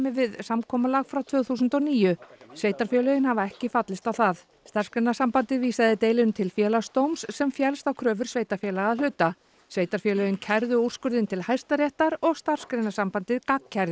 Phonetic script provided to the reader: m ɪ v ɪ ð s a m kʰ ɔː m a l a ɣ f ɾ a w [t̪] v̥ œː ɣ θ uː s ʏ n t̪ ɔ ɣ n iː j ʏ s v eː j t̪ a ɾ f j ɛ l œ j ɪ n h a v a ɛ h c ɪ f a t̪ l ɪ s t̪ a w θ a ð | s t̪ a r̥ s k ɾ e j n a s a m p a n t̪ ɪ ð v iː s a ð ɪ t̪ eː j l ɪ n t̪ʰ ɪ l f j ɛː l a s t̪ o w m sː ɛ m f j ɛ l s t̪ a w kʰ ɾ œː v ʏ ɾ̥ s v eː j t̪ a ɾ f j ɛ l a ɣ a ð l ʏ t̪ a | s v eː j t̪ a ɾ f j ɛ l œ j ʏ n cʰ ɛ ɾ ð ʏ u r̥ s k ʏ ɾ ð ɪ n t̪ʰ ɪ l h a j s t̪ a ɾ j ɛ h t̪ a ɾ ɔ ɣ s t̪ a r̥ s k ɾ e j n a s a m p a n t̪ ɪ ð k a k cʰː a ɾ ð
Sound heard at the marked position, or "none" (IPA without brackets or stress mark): t̪ʰ